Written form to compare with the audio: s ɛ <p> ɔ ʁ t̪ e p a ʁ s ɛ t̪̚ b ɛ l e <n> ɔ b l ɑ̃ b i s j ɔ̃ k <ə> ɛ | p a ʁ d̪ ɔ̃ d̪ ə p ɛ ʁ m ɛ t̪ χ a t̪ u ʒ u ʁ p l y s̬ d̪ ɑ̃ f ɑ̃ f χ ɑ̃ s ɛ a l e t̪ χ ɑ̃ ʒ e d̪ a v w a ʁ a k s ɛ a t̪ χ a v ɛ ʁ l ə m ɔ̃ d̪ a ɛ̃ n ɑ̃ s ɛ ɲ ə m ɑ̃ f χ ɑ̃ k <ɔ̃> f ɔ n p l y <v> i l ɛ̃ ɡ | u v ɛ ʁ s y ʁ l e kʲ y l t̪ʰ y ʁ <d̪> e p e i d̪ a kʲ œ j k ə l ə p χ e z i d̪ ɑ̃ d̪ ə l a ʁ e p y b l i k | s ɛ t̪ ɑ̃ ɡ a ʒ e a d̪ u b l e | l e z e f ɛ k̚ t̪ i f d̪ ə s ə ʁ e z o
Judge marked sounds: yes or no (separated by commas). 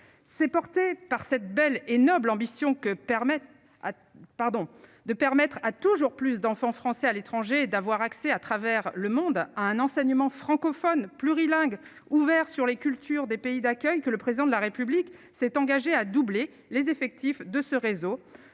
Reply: yes, yes, yes, no, no, yes